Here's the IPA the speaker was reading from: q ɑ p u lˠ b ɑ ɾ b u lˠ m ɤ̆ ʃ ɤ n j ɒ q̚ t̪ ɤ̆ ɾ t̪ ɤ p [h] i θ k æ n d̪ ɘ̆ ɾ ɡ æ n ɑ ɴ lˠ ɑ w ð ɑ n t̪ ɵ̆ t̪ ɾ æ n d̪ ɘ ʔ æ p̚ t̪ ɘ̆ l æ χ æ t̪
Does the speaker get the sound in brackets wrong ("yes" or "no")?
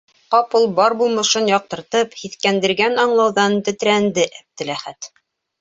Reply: no